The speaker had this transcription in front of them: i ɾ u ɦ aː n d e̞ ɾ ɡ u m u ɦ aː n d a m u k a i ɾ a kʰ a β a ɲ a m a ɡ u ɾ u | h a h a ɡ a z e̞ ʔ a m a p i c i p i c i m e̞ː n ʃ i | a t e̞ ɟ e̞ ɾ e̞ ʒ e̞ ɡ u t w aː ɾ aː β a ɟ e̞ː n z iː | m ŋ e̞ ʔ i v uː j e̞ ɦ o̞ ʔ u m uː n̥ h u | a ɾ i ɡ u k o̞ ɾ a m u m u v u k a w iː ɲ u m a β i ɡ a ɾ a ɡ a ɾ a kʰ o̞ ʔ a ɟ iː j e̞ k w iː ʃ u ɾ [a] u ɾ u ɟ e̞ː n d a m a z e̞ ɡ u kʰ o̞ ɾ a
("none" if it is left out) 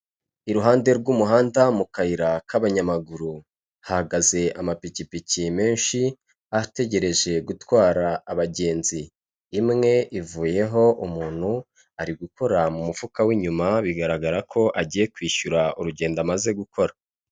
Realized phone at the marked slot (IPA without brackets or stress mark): a